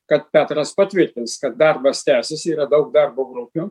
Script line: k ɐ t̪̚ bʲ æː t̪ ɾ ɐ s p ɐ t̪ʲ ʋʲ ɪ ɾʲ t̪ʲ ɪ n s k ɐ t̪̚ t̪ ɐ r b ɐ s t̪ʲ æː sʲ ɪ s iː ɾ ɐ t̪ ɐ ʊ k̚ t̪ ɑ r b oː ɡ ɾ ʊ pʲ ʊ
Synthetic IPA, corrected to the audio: k ɐ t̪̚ pʲ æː t̪ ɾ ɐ s p ɐ t̪ʲ ʋʲ ɪ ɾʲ t̪ʲ ɪ n s k ɐ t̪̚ d̪ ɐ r b ɐ s t̪ʲ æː sʲ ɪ s iː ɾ ɐ d̪ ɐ ʊ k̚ d̪ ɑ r b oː ɡ ɾ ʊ pʲ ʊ